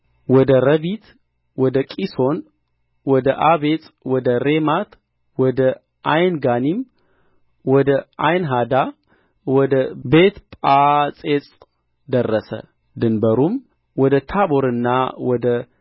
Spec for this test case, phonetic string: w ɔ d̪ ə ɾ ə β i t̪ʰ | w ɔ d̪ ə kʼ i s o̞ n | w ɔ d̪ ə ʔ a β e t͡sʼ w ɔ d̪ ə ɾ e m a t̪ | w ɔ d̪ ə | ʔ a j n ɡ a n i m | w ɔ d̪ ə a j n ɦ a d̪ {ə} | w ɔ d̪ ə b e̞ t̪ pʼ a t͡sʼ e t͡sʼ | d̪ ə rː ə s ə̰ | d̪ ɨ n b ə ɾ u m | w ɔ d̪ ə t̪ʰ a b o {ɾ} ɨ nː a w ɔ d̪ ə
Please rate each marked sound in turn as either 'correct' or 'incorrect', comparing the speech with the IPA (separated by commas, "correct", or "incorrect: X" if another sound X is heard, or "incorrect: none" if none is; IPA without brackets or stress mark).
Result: incorrect: a, correct